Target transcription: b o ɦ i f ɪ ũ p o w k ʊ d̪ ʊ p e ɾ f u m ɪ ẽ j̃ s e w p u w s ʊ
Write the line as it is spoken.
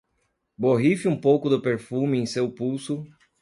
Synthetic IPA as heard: b o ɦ i f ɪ ũ p o w k ʊ d̪ ʊ p e ɾ f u m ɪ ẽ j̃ s e w p u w s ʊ